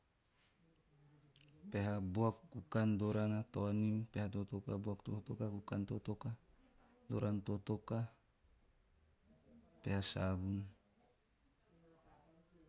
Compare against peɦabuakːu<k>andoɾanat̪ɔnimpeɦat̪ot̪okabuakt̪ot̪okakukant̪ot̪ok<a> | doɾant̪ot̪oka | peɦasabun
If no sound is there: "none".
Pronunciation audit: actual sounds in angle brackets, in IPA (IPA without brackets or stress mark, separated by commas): k, a